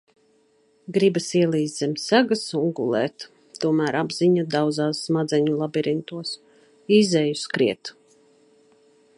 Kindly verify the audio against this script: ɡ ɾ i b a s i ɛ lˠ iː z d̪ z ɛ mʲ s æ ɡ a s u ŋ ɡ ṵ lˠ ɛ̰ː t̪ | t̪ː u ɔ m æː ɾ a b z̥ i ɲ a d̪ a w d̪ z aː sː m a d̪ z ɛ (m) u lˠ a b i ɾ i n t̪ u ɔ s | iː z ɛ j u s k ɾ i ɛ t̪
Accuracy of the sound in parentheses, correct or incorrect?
incorrect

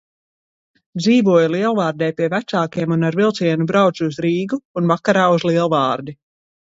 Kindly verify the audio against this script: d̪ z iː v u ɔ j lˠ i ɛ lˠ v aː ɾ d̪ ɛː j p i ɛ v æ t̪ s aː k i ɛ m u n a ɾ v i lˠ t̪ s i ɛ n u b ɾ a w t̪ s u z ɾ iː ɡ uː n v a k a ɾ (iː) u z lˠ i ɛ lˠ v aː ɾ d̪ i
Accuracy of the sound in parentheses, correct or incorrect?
incorrect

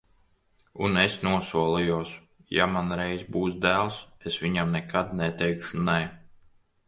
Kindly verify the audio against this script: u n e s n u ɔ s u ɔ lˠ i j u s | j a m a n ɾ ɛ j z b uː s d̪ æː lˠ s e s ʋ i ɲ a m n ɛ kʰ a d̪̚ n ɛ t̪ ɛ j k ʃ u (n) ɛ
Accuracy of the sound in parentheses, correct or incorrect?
correct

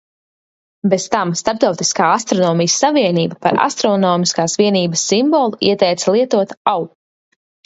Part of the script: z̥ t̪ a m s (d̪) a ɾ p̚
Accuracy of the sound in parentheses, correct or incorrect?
incorrect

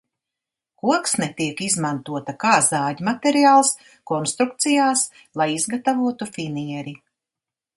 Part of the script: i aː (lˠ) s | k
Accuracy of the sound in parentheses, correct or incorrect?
correct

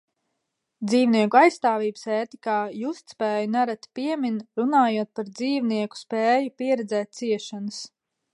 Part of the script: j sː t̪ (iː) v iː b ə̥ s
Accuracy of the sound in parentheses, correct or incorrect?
incorrect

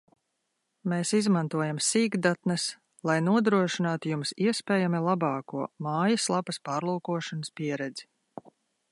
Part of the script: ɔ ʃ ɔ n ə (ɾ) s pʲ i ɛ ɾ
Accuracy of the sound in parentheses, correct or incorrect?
incorrect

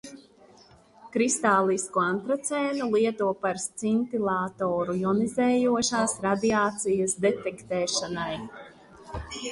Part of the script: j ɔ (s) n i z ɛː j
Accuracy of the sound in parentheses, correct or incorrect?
incorrect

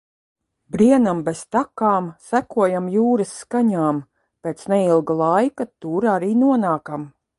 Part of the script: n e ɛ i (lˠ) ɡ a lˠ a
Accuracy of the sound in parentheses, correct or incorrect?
correct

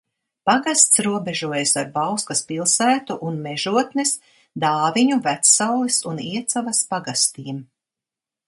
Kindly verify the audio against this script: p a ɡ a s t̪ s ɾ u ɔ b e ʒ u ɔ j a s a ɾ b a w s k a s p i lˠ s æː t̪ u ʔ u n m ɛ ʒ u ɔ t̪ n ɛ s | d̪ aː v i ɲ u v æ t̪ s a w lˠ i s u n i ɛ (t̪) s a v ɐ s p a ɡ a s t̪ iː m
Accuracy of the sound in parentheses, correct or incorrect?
correct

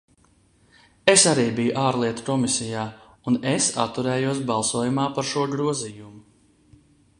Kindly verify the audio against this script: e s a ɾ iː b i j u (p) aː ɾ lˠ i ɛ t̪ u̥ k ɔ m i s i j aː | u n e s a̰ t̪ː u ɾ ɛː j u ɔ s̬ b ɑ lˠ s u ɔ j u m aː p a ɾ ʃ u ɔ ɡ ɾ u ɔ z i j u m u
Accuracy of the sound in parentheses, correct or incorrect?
incorrect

